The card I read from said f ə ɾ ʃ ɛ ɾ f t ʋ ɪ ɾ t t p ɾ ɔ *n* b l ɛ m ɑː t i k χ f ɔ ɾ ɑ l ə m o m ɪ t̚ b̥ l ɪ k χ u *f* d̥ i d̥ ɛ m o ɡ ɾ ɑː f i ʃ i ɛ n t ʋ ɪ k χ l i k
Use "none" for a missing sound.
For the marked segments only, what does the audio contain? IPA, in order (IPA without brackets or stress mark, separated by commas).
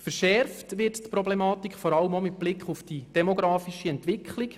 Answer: none, f